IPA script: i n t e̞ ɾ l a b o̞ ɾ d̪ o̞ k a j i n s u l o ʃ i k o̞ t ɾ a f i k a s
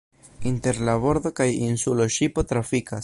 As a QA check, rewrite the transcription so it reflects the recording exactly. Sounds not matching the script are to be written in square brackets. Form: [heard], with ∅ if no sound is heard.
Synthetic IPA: i n t e̞ ɾ l a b o̞ ɾ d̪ o̞ k a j i n s u l o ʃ i [p] o̞ t ɾ a f i k a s